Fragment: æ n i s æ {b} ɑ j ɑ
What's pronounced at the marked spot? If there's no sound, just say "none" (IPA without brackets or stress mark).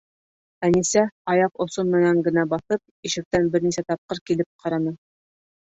none